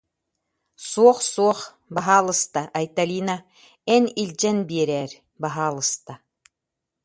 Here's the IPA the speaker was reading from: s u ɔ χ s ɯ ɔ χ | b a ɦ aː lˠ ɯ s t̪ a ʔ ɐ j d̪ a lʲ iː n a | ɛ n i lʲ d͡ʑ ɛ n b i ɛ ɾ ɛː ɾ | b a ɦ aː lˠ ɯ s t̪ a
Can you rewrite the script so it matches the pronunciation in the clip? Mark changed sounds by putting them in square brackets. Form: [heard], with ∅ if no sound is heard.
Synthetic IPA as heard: s u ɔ χ s [u] ɔ χ | b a ɦ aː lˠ ɯ s t̪ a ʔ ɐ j [t̪] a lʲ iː n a | ɛ n i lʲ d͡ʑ ɛ n b i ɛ ɾ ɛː ɾ | b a ɦ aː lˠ ɯ s t̪ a